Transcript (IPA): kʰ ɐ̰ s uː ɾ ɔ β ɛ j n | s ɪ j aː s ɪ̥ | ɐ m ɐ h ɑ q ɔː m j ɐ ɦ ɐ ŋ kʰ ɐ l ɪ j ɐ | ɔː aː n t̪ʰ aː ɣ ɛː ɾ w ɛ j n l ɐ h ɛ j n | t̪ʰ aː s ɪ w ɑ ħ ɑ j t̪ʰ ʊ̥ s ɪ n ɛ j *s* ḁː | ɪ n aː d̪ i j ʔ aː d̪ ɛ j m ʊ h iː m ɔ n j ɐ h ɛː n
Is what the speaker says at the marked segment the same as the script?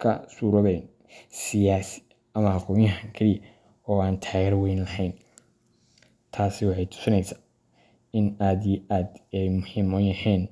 yes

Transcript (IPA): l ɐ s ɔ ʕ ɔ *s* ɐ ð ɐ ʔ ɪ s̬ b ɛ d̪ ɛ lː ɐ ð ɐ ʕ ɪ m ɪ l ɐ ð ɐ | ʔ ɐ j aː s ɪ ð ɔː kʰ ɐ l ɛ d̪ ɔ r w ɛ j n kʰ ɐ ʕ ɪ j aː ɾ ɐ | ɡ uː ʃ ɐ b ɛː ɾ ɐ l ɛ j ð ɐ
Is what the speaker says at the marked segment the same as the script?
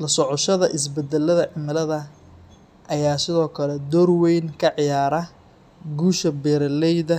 no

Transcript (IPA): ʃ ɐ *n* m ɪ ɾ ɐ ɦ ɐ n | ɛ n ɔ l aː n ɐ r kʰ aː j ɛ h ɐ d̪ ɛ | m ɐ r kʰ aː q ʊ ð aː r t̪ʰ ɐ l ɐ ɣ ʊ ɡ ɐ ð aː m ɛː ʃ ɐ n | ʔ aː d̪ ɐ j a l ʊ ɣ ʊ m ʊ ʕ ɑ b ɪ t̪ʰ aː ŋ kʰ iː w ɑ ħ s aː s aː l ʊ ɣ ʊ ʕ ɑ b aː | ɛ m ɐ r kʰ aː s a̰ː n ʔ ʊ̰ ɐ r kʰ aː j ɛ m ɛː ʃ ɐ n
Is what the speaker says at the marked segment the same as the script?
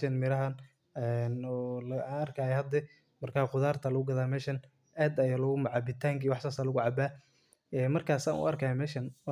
yes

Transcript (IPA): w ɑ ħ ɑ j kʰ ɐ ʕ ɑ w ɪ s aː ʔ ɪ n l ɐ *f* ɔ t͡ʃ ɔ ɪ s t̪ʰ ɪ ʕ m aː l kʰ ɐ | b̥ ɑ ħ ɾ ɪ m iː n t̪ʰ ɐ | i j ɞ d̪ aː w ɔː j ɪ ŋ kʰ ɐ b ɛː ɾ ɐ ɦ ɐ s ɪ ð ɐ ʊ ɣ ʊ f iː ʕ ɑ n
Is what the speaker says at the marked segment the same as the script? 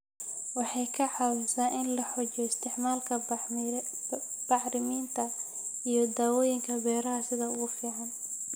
no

